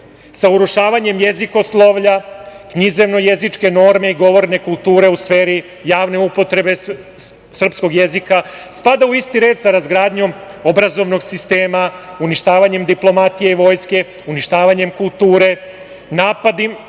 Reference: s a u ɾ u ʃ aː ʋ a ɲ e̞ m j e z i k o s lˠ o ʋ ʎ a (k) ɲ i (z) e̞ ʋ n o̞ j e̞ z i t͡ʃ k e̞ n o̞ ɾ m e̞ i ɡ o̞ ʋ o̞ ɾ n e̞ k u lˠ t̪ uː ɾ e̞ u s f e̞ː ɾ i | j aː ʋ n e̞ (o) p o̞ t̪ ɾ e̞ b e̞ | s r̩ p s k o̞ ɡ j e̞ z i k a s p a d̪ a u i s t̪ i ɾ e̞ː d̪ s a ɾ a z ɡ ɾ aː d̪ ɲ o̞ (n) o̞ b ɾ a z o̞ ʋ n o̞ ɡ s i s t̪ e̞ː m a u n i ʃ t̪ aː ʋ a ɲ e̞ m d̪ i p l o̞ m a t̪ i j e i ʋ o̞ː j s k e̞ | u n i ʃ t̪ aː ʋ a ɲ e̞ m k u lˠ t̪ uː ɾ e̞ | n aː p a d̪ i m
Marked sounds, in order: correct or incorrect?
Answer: correct, correct, incorrect: u, incorrect: m

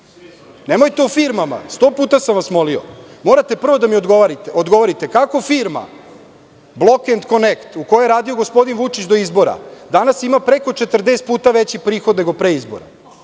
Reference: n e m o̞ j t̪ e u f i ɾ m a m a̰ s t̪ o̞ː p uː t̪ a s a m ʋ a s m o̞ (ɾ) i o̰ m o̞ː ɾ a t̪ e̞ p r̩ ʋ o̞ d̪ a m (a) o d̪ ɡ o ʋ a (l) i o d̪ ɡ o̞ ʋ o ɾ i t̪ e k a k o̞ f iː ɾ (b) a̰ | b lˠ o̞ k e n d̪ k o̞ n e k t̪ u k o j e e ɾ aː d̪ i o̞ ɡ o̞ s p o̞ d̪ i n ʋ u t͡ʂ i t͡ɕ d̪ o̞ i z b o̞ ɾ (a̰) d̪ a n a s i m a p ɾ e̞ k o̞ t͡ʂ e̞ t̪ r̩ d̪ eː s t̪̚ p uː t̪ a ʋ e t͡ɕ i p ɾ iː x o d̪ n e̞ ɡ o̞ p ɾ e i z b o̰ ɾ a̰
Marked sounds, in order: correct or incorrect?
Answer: incorrect: l, incorrect: i, incorrect: ɾ, incorrect: m, correct

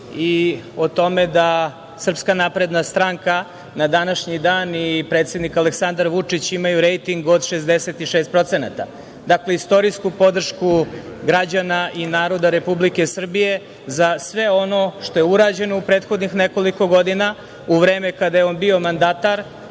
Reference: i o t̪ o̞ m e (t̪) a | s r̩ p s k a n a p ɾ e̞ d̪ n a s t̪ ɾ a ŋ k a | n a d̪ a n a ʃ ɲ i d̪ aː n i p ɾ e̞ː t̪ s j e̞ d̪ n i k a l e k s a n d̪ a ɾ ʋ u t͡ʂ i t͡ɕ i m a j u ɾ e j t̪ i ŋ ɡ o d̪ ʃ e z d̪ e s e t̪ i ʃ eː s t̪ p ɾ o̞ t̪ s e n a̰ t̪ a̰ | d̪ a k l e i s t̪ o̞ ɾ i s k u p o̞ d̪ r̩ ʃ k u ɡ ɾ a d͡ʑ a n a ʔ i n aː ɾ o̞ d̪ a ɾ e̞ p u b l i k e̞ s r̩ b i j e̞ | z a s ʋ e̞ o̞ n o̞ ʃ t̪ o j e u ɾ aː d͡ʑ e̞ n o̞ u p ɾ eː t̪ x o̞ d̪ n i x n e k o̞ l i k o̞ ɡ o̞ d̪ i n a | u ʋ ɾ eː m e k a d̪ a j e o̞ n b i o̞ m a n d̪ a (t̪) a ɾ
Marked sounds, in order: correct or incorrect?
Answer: incorrect: d̪, correct

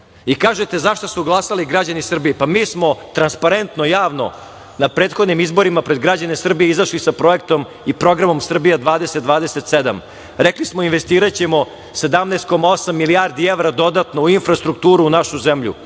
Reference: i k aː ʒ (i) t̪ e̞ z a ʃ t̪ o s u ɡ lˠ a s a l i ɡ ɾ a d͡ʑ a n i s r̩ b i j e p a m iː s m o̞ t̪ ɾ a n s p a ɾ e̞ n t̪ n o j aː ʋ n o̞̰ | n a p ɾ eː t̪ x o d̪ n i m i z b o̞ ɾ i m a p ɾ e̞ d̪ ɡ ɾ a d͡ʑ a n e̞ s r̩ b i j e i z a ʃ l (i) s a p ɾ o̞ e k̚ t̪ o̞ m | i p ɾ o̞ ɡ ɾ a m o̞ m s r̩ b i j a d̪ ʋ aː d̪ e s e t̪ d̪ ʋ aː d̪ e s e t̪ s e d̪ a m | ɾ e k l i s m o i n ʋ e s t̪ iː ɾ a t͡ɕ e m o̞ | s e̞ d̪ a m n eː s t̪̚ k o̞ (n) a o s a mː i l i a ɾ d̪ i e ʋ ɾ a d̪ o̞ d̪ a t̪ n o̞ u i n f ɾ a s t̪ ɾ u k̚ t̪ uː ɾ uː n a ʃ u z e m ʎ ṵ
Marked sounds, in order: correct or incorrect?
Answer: incorrect: e, correct, incorrect: m

